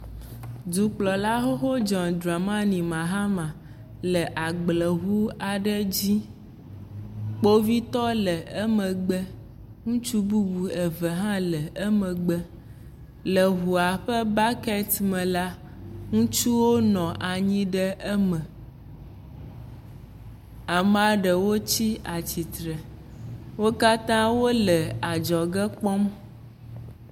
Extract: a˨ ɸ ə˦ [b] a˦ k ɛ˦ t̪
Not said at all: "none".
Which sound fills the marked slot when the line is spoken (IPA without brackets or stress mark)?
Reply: b